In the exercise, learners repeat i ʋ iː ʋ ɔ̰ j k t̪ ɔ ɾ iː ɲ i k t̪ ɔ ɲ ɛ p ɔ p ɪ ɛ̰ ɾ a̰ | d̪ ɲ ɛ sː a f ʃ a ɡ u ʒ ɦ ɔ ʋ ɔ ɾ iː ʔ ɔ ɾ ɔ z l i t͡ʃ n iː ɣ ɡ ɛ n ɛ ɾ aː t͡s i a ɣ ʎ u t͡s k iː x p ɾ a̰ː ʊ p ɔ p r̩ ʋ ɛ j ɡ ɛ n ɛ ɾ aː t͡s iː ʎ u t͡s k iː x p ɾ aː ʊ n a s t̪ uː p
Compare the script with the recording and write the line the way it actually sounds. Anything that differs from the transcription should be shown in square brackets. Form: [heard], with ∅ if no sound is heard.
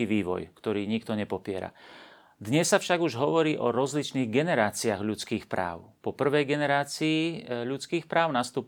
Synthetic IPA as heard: i ʋ iː ʋ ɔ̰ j k t̪ ɔ ɾ iː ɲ i k t̪ ɔ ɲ ɛ p ɔ p ɪ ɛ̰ ɾ a̰ | d̪ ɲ ɛ sː a f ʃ a ɡ u ʒ ɦ ɔ ʋ ɔ ɾ iː ʔ ɔ ɾ ɔ z l i t͡ʃ n iː ɣ ɡ ɛ n ɛ ɾ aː t͡s i a ɣ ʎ u t͡s k iː x p ɾ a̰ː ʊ p ɔ p r̩ ʋ ɛ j ɡ ɛ n ɛ ɾ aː t͡s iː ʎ u t͡s k iː x p ɾ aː ʊ n a s t̪ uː p